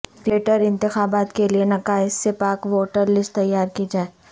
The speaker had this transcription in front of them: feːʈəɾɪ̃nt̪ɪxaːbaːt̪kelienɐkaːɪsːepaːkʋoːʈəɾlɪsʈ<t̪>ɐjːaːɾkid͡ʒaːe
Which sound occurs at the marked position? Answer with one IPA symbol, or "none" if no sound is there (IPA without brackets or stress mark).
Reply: t̪